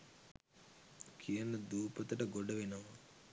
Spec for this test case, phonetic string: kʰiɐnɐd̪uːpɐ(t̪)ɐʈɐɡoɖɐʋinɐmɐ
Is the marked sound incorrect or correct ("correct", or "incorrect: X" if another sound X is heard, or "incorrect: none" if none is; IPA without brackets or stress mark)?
correct